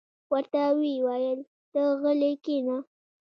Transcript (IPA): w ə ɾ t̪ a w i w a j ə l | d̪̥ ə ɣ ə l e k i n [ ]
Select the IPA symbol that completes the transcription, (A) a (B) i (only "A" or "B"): A